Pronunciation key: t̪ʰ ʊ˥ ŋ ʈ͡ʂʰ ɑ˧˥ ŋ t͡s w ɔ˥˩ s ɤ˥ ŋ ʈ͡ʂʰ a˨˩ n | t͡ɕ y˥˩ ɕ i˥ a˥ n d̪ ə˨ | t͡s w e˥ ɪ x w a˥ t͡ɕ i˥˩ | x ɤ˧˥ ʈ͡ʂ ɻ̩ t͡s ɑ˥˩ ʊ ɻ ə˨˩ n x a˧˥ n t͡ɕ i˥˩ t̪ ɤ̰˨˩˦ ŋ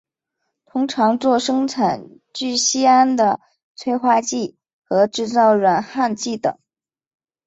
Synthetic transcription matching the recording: t̪ʰ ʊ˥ ŋ ʈ͡ʂʰ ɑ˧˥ ŋ t͡s w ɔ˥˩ ʂ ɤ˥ ŋ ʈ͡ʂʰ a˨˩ n | t͡ɕ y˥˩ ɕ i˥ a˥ n d̪ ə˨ | t͡sʰ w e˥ ɪ x w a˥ t͡ɕ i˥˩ | x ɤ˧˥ ʈ͡ʂ ɻ̩ t͡s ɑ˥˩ ʊ ɻ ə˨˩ n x a˥˧ n t͡ɕ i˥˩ t̪ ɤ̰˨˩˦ ŋ